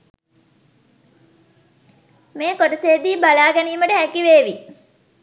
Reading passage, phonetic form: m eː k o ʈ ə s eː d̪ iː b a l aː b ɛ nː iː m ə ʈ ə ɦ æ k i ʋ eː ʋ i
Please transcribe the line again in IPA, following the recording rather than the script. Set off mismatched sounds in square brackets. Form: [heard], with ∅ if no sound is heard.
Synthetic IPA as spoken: m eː k o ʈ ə s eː d̪ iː b a l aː [ɡ] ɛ [n] iː m ə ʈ ə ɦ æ k i ʋ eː ʋ i